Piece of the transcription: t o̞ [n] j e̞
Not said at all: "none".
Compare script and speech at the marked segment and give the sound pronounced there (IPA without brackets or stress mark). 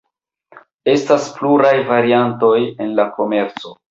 none